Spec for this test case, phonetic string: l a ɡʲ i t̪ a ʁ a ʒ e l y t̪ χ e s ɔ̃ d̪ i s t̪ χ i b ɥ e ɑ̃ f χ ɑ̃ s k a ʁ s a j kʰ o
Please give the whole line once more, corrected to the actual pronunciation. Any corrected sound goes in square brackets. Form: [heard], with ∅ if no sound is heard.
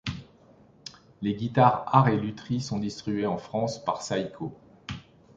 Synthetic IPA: l [e] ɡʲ i t̪ a ʁ a [ʁ] e l y t̪ χ [i] s ɔ̃ d̪ i s t̪ χ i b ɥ e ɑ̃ f χ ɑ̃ s [p] a ʁ s a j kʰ o